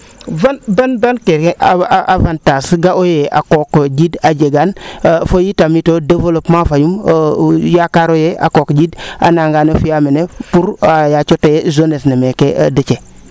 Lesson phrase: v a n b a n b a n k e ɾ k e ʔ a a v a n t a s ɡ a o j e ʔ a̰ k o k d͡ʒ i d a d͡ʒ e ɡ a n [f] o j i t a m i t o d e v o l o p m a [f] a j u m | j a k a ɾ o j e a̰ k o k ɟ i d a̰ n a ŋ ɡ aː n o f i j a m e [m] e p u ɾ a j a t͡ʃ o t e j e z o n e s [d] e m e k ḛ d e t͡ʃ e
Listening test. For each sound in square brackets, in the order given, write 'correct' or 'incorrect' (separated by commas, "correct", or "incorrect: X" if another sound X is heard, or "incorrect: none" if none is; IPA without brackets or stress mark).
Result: correct, correct, incorrect: n, incorrect: n